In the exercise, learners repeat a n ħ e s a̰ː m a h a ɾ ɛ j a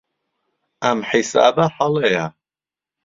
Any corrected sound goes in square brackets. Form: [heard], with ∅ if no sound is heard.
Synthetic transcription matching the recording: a [m] ħ [i] s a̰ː [b] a [ħ] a [l] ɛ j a